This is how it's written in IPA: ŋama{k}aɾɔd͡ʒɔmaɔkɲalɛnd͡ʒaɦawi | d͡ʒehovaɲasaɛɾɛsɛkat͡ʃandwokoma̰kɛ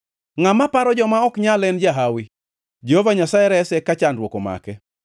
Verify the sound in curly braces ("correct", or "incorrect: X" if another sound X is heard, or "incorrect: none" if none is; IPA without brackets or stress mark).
incorrect: p